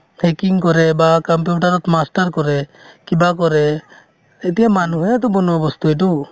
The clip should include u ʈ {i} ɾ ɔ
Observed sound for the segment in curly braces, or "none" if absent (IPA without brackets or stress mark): a